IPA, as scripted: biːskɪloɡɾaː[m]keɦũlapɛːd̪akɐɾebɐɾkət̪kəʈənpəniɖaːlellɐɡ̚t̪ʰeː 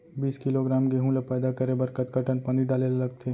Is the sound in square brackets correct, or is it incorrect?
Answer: correct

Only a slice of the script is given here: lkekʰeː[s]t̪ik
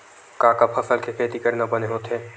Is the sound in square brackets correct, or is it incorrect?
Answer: incorrect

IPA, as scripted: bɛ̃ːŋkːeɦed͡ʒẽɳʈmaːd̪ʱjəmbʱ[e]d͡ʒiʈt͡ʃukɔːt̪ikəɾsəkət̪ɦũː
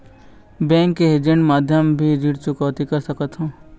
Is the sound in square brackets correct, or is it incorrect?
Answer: incorrect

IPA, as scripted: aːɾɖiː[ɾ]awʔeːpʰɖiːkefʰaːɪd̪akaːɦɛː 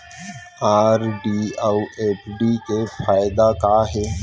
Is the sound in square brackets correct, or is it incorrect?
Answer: incorrect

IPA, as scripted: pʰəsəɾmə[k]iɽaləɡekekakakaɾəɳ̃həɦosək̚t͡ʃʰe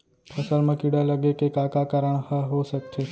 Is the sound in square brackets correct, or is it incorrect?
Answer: correct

